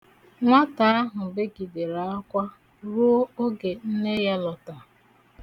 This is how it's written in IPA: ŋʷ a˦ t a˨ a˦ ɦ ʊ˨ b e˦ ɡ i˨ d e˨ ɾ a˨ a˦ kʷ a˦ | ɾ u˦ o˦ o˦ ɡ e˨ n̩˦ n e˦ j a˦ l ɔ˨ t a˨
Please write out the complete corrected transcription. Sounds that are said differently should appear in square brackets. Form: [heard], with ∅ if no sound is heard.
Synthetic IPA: ŋʷ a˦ t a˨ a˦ ɦ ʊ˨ b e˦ ɡ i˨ d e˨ ɾ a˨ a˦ kʷ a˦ | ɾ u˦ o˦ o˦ ɡ e˨ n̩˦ n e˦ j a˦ l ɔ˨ t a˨